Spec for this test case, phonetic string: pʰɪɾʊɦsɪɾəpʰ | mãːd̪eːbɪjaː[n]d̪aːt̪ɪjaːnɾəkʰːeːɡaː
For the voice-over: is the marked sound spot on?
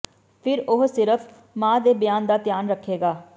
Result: yes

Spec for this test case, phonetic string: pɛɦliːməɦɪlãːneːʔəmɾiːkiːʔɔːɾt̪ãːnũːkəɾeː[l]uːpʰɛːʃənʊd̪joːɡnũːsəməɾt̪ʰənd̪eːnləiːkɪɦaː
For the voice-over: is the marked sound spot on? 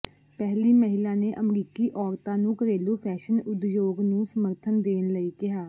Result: yes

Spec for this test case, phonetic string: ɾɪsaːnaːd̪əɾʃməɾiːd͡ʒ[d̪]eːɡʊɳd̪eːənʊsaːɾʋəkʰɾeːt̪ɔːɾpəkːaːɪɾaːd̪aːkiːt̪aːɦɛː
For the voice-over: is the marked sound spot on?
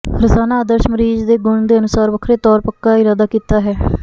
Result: yes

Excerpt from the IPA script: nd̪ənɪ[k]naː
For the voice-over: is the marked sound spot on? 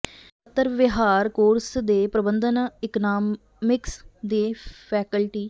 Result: yes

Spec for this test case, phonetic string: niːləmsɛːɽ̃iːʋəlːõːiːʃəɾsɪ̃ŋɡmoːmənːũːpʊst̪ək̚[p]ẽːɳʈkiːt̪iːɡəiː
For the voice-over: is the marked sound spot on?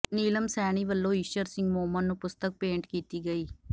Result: yes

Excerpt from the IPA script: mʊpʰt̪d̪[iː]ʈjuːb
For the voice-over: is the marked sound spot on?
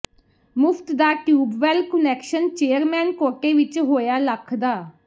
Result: no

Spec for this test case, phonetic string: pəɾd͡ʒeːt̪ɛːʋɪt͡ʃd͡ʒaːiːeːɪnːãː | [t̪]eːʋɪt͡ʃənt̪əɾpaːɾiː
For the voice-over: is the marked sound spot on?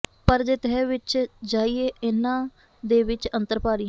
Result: no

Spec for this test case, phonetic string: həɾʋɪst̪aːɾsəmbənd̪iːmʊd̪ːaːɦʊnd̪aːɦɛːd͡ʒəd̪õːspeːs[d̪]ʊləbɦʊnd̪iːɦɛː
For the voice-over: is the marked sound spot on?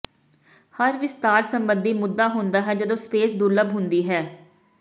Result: yes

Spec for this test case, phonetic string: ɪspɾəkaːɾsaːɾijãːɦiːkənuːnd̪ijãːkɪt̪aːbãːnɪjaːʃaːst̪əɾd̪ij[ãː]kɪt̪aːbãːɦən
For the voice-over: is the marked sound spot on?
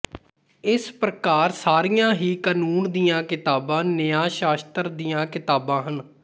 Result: yes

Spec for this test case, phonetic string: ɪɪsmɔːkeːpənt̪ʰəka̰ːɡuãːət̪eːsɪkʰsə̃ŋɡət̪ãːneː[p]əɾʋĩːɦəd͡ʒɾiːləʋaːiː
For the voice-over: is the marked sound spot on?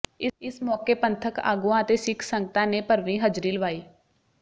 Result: yes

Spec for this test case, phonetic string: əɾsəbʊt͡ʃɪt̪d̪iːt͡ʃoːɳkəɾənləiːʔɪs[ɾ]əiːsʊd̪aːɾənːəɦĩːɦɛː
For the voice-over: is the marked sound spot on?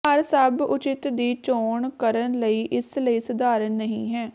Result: no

